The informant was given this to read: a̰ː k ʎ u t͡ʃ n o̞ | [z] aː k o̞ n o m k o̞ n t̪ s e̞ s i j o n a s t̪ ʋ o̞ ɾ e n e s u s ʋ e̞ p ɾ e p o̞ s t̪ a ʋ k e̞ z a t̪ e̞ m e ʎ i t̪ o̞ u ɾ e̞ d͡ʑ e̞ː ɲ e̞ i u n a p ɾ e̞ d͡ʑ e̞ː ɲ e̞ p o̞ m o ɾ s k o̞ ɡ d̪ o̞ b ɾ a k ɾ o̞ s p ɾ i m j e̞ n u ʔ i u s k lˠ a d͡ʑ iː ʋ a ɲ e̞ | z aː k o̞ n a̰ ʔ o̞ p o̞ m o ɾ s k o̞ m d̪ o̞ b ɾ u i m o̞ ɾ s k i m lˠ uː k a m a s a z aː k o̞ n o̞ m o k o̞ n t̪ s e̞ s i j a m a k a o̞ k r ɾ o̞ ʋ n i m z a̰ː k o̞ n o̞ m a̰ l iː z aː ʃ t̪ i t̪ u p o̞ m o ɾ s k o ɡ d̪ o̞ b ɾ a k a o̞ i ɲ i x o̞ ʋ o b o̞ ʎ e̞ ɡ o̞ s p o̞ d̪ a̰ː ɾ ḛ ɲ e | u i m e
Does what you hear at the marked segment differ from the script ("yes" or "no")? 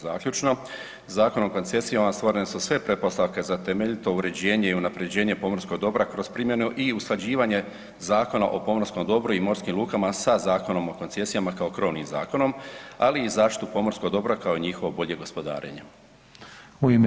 no